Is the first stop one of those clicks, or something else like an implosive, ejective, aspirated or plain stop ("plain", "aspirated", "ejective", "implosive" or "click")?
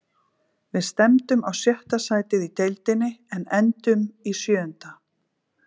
plain